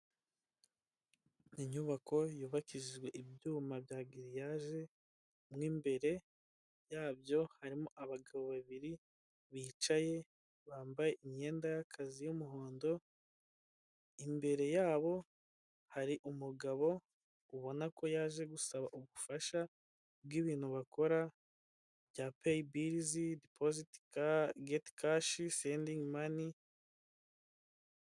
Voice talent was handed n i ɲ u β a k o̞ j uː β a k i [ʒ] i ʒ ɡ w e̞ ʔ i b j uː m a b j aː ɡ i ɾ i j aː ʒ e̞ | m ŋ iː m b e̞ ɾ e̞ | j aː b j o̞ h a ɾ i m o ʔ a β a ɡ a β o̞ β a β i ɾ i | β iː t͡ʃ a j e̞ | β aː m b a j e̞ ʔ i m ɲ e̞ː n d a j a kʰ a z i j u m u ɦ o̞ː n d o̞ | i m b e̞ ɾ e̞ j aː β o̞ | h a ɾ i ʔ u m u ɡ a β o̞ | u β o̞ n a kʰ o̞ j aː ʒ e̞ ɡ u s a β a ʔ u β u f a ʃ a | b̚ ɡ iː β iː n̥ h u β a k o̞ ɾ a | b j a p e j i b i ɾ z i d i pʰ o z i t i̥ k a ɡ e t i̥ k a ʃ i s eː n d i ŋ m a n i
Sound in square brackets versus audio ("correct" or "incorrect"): correct